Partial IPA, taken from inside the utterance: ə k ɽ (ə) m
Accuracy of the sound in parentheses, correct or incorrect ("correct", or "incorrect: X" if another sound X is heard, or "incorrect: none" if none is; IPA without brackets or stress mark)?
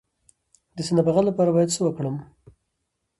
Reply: correct